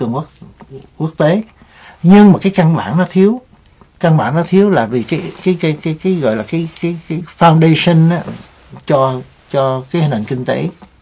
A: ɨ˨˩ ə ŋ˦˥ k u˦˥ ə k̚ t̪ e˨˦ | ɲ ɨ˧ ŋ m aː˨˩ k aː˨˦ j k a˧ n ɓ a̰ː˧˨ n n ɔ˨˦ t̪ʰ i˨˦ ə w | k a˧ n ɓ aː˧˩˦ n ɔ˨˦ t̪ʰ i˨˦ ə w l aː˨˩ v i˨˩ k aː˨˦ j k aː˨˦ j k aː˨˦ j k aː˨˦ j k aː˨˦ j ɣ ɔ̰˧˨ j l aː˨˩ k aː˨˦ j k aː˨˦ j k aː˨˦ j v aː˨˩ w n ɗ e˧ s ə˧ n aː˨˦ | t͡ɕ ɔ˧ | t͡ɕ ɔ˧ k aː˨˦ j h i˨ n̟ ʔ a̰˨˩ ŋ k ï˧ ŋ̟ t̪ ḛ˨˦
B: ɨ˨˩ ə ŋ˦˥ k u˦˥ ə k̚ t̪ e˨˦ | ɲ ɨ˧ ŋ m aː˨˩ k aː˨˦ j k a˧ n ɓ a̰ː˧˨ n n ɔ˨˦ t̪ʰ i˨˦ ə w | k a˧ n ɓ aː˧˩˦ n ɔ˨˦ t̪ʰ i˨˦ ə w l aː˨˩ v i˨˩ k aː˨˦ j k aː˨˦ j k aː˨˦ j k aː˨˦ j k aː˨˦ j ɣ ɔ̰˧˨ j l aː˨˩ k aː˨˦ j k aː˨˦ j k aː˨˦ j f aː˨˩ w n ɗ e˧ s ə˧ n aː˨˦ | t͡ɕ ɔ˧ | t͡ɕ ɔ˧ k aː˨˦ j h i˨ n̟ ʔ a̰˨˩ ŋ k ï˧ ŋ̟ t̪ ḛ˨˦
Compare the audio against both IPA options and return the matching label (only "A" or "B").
B